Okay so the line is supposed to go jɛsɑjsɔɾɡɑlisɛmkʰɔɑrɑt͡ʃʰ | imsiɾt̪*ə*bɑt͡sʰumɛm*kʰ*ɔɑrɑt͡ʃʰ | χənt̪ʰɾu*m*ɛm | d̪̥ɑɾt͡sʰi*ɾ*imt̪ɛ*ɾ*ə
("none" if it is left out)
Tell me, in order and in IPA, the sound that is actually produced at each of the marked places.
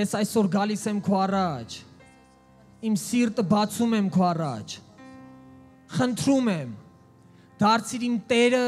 ə, kʰ, m, ɾ, ɾ

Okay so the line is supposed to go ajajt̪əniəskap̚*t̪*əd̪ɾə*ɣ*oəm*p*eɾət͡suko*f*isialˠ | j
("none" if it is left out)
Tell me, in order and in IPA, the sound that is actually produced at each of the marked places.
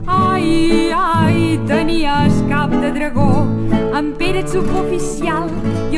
d̪, ɣ, p, f

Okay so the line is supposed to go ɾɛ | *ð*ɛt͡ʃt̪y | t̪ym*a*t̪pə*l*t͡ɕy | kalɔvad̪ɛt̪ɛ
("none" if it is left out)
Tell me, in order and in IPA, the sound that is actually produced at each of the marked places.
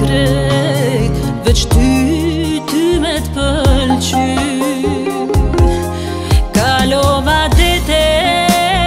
v, ɛ, l

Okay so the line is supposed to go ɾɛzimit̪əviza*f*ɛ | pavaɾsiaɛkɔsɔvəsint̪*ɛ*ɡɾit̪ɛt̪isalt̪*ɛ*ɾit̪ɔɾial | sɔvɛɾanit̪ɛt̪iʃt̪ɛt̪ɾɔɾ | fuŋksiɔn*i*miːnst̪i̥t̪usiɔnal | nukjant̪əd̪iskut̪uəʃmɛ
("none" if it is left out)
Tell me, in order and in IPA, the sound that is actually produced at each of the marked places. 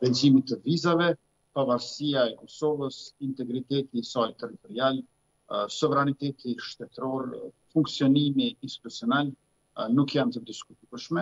v, ɛ, ɛ, i

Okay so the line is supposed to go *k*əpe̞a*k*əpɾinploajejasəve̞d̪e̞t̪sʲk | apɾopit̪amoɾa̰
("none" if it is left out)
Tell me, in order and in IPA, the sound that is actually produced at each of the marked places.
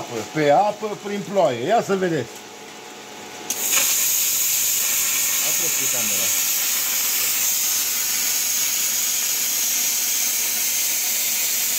p, p

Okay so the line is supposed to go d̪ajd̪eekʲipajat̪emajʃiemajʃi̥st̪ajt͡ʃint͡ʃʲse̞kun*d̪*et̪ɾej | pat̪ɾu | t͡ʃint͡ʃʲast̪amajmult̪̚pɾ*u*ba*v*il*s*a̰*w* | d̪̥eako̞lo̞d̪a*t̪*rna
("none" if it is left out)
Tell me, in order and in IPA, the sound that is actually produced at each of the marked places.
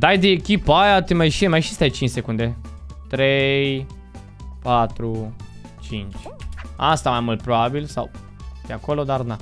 d̪, o, b, s, w, none

